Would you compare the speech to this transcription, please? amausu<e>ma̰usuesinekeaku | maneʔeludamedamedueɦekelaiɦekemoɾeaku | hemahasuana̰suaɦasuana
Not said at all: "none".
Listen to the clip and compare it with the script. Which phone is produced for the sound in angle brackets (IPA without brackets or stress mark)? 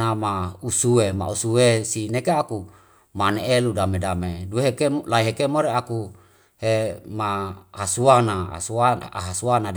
e